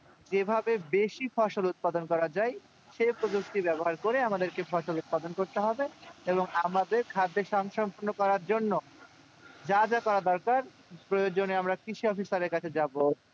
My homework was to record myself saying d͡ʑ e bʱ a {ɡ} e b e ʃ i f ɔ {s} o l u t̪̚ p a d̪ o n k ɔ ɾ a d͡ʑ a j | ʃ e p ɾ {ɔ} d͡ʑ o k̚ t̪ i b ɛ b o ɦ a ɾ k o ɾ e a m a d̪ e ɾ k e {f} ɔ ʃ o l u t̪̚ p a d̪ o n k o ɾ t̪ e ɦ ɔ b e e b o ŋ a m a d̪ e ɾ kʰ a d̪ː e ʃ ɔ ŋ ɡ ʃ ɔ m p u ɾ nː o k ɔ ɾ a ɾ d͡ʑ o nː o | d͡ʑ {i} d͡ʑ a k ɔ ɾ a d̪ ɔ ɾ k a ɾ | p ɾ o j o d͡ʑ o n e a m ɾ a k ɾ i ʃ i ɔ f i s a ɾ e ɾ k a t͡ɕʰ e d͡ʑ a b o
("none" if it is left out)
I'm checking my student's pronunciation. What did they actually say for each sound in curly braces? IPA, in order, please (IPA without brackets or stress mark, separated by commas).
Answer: b, ʃ, o, f, a